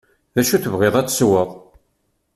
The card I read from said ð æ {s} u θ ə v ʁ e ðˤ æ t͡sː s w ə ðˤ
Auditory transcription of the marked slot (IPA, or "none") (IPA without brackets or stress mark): ʃ